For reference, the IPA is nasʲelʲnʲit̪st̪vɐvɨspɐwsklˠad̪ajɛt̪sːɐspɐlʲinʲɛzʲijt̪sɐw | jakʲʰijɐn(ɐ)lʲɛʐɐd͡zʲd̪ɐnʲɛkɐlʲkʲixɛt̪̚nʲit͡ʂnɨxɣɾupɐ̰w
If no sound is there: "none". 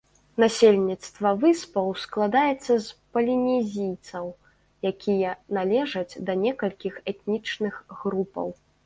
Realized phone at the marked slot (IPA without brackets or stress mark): a